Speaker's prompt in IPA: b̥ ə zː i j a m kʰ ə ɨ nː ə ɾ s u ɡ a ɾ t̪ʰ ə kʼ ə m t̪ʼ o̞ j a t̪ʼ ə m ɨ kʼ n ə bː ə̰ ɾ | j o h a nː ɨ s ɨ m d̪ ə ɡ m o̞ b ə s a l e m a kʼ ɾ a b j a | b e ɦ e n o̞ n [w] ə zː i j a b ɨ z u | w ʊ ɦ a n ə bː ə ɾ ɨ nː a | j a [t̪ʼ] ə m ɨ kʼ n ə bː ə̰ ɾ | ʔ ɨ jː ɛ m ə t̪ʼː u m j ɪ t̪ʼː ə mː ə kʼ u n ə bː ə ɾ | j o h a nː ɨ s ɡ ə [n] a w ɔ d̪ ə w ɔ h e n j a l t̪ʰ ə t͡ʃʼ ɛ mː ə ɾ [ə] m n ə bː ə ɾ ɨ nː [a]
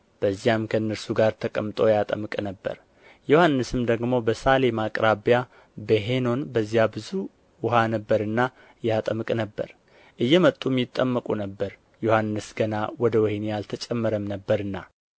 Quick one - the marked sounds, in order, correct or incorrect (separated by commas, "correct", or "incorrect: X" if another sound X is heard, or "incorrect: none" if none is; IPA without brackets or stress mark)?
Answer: incorrect: b, correct, correct, correct, correct